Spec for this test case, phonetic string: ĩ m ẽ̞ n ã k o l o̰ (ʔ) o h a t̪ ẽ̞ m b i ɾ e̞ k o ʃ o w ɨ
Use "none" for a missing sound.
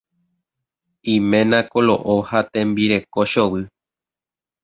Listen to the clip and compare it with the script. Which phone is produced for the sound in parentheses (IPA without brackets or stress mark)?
ʔ